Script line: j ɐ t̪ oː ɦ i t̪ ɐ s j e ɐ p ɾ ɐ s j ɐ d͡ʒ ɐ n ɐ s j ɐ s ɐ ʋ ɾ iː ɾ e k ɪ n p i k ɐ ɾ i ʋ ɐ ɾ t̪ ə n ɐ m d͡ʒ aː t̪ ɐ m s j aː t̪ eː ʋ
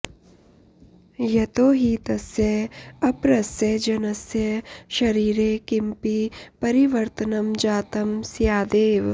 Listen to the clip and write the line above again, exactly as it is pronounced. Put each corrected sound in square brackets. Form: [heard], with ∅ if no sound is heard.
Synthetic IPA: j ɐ t̪ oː ɦ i t̪ ɐ s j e ɐ p ɾ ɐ s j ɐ d͡ʒ ɐ n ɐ s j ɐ [ʃ] ɐ [∅] ɾ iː ɾ e k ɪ [m] p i [p] ɐ ɾ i ʋ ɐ ɾ t̪ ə n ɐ m d͡ʒ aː t̪ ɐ m s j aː [d̪] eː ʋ